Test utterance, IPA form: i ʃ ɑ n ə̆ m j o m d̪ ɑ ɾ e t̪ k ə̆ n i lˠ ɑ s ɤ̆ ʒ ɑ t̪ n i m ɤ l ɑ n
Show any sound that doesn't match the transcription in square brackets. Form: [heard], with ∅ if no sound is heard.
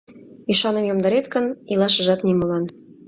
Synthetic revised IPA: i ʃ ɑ n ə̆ m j o m d̪ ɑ ɾ e t̪ k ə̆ n i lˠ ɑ [ʃ] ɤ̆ ʒ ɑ t̪ n i m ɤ l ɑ n